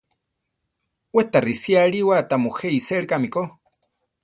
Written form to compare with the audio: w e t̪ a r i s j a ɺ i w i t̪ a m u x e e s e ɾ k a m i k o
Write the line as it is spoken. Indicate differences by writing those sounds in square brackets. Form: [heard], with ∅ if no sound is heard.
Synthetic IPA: w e t̪ a r i s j a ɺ i w [a] t̪ a m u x e [i] s e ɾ k a m i k o